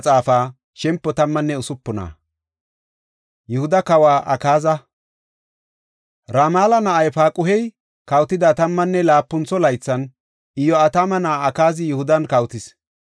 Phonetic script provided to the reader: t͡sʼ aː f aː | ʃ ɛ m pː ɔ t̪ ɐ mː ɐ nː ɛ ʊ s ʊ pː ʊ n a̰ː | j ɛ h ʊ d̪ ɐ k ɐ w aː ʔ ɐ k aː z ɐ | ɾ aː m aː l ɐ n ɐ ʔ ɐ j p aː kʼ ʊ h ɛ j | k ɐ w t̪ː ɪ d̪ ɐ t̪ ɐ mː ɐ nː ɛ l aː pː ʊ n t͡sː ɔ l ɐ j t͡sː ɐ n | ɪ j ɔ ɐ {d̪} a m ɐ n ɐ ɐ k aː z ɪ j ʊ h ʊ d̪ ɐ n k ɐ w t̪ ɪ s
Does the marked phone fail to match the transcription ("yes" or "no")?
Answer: yes